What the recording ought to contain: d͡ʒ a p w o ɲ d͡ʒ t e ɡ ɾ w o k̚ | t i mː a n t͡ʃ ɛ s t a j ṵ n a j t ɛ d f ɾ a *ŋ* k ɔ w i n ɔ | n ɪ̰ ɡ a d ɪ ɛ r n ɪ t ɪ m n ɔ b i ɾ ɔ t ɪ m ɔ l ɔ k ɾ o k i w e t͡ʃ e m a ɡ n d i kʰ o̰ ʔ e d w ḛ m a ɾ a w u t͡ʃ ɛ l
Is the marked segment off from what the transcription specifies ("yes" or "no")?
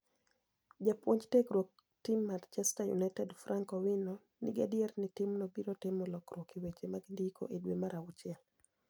no